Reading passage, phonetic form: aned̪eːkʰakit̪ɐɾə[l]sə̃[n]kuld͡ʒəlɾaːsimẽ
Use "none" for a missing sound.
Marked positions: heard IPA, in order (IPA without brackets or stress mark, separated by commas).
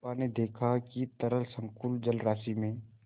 l, ŋ